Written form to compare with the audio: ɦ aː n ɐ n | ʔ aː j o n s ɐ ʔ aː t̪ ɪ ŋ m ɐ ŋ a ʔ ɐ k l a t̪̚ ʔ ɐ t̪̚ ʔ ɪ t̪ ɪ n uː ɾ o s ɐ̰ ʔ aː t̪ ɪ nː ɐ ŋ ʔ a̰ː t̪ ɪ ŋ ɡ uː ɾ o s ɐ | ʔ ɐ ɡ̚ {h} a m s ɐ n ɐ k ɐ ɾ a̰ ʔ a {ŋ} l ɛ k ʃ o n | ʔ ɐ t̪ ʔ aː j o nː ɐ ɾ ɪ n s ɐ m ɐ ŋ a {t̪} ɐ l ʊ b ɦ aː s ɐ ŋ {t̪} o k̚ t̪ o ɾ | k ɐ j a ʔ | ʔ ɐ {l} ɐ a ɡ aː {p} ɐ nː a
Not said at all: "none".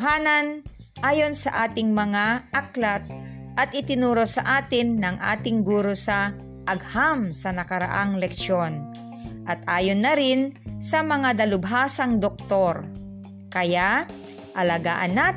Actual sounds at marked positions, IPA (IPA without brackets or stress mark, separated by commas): h, ŋ, d̪, d̪, l, ʔ